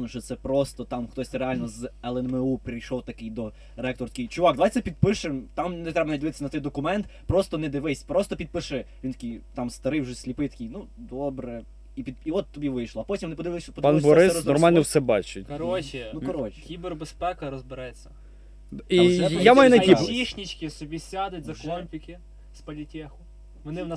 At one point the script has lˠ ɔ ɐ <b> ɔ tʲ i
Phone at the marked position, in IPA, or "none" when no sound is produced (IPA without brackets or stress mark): p